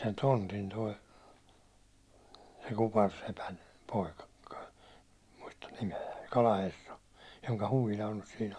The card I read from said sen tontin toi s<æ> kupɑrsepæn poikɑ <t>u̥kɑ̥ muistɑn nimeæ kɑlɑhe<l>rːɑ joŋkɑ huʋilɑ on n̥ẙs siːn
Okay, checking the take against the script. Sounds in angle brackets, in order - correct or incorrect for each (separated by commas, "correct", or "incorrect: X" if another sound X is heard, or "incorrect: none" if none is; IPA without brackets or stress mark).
incorrect: e, incorrect: k, incorrect: none